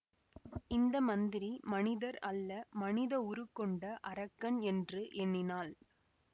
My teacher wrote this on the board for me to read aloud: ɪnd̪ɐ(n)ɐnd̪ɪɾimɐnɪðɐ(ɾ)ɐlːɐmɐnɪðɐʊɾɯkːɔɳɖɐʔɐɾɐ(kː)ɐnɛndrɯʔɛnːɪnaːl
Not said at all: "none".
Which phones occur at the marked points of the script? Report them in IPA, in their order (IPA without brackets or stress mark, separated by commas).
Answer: m, ɾ, kː